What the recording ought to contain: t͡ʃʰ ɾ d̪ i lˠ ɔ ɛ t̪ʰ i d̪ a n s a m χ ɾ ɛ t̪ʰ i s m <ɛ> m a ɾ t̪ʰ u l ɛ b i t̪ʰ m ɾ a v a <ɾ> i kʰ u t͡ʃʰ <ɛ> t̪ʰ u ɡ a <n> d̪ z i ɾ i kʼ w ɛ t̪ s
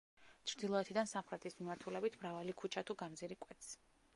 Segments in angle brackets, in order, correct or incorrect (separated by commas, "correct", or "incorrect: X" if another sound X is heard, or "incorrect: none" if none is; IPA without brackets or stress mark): incorrect: i, incorrect: l, incorrect: a, incorrect: m